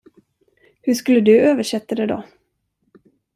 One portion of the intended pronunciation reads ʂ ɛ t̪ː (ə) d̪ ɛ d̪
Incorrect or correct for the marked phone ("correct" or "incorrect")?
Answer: incorrect